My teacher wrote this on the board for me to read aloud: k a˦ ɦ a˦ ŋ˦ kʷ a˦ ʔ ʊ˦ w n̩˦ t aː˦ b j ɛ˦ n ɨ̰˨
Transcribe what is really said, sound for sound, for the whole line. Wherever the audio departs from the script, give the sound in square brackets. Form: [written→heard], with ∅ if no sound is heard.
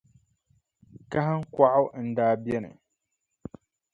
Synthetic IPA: k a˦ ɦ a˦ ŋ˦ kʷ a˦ ʔ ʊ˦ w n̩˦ [t→d] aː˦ b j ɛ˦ n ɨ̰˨